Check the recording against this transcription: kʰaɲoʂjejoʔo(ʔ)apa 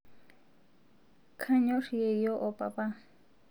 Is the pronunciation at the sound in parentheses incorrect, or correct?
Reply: incorrect